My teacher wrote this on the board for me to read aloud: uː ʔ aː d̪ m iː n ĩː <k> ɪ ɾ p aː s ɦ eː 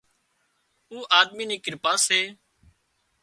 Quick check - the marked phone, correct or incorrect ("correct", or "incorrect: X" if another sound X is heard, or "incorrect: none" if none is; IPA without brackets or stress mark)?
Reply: correct